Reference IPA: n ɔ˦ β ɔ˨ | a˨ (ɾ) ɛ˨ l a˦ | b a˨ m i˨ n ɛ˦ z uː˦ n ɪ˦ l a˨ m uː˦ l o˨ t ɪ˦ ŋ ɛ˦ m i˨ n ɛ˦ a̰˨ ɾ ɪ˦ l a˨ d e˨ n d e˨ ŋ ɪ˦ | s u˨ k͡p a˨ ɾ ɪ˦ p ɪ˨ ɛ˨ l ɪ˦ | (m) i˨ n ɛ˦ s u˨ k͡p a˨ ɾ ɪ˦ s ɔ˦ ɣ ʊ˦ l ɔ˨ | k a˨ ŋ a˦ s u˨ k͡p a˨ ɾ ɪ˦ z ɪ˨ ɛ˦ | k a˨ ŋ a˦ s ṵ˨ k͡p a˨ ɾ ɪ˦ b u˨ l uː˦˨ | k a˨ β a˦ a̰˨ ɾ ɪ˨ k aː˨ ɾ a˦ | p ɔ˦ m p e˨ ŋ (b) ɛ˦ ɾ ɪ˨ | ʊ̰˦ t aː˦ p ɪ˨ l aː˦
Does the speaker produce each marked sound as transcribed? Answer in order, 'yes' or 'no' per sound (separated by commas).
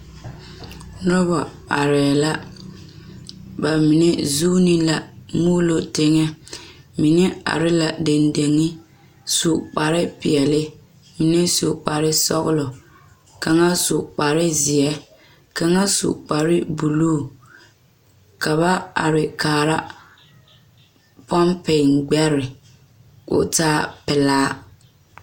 yes, yes, no